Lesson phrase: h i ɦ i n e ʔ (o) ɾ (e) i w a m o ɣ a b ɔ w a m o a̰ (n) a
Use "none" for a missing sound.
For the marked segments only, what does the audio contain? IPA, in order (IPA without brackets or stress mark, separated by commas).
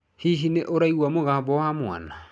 o, a, n